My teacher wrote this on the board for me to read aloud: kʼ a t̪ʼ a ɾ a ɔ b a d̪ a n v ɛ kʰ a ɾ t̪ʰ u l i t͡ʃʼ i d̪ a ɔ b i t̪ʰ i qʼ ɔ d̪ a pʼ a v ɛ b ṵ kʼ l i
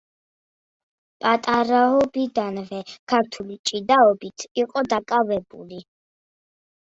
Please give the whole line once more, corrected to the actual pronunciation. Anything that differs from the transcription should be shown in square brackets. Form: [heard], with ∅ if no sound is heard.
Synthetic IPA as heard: [pʼ] a t̪ʼ a ɾ a ɔ b [i] d̪ a n v ɛ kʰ a ɾ t̪ʰ u l i t͡ʃʼ i d̪ a ɔ b i t̪ʰ i qʼ ɔ d̪ a [kʼ] a v ɛ b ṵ [∅] l i